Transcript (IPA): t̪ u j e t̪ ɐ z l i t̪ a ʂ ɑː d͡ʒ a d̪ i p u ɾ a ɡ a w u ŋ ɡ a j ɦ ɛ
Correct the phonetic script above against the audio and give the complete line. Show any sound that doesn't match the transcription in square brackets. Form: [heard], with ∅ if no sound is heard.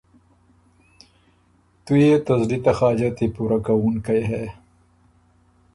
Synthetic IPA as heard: t̪ u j e t̪ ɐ z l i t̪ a [x] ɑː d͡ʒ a [t̪] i p u ɾ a [k] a w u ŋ [k] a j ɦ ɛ